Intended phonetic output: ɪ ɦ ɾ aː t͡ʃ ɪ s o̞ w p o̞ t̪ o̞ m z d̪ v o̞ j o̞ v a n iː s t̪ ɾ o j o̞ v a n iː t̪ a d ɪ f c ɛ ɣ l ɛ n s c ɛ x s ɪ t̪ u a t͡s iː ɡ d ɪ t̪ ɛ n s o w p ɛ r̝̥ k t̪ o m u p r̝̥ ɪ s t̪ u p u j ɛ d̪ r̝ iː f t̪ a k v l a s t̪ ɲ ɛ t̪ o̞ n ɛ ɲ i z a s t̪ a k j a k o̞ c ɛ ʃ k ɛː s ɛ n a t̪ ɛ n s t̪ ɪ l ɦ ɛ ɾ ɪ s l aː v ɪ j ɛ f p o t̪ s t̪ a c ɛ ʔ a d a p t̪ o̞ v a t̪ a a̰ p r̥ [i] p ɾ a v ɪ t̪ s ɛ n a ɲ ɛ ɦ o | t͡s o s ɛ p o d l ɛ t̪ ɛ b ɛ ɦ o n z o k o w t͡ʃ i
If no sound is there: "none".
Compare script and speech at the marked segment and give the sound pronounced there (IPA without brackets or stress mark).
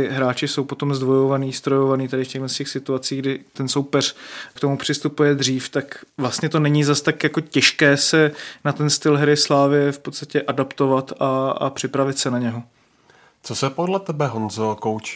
ɪ